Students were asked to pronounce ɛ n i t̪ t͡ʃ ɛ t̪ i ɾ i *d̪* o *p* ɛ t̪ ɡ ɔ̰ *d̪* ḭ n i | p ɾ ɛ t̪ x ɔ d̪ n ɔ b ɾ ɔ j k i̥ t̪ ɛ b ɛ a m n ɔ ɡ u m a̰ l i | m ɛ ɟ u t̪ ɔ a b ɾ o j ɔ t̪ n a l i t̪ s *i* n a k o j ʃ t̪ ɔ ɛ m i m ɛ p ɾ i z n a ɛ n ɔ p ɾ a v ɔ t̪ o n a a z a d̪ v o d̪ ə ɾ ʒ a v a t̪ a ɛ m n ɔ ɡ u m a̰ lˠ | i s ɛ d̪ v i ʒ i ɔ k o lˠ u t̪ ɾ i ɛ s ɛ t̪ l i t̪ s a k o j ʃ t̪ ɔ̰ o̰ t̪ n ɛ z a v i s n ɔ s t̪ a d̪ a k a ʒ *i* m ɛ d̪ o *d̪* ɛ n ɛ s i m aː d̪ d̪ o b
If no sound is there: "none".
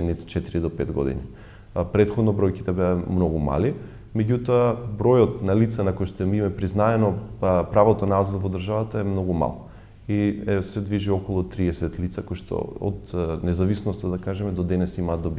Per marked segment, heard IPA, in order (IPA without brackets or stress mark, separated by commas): d̪, p, d̪, a, ɛ, d̪